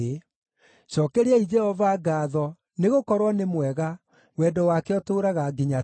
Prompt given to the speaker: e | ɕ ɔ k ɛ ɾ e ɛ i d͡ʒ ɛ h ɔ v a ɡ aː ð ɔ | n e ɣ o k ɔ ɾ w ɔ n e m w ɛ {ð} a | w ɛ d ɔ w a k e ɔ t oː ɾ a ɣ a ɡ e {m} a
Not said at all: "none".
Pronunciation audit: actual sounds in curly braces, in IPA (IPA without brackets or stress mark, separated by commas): ɣ, ɲ